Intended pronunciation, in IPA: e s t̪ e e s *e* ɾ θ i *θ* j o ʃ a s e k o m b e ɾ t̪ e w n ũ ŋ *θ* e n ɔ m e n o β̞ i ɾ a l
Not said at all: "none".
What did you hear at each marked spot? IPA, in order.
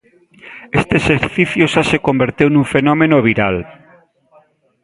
e, θ, f

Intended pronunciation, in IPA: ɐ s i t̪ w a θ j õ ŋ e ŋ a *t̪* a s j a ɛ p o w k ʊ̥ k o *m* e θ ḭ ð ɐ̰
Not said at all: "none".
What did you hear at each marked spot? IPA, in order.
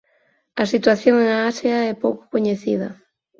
none, ɲ

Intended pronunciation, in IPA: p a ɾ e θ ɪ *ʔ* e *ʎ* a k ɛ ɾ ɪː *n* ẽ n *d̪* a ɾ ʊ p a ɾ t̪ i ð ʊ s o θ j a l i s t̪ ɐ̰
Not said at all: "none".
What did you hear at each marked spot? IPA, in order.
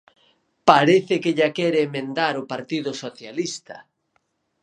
k, ʎ, m, d̪

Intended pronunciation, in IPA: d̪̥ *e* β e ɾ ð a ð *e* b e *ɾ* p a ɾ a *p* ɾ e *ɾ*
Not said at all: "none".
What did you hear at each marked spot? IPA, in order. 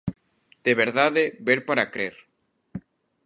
e, e, ɾ, k, ɾ

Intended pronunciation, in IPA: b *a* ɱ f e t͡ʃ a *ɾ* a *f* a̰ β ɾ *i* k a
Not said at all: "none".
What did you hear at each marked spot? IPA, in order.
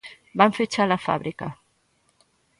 a, l, f, i

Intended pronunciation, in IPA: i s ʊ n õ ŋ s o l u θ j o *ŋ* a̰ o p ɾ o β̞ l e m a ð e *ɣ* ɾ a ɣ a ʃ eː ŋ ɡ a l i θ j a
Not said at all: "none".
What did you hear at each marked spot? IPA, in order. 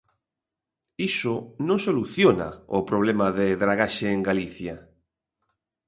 n, ð

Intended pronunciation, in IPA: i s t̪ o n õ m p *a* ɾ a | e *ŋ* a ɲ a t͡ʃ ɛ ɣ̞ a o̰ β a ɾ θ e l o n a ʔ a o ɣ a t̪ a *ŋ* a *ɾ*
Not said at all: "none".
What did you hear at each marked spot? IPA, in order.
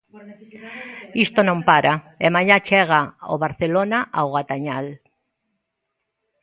a, m, ɲ, l

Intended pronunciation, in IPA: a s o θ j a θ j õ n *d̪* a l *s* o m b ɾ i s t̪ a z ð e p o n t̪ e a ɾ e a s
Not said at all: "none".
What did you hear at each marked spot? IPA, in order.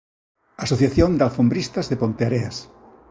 d̪, f

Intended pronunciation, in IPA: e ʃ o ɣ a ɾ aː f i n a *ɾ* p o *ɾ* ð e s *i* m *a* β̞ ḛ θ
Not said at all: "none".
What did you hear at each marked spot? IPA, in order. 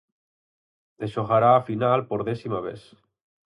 l, ɾ, i, a

